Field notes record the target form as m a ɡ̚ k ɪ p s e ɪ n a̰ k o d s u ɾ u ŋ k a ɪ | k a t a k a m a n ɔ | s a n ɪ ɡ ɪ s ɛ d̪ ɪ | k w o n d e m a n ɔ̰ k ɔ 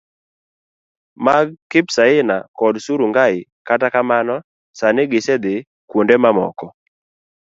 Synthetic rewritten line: m a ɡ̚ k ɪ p s a ɪ n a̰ k ɔ d s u ɾ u ŋ ɡ a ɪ | k a t a k a m a n ɔ | s a n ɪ ɡ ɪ s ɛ d̪ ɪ | k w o n d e m a m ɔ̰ k ɔ